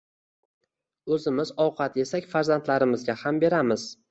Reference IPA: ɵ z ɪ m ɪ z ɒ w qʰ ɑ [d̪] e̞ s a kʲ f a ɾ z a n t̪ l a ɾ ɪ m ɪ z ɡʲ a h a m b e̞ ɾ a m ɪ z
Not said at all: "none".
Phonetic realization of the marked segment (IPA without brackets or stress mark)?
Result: t̪